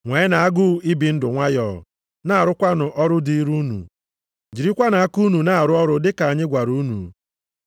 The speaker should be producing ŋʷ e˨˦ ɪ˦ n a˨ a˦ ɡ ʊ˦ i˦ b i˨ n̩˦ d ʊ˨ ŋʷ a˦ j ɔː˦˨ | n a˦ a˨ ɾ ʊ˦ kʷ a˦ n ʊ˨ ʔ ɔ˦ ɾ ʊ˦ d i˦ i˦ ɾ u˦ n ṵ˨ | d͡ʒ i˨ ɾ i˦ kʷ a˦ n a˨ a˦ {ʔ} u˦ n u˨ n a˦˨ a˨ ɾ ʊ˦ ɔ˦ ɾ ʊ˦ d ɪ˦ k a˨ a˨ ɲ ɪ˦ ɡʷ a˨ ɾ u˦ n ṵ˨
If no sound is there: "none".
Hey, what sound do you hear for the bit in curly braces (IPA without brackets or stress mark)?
k